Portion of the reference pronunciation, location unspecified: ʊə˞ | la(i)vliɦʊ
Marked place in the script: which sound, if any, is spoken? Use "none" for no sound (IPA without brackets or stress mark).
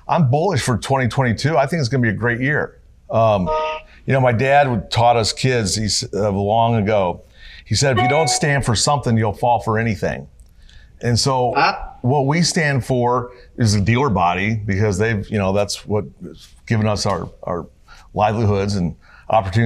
ɪ